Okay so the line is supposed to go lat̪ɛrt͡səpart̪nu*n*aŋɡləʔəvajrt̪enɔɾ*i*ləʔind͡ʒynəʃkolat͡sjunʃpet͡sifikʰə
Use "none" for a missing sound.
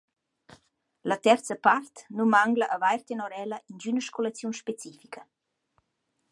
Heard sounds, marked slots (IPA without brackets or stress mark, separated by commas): m, ɛ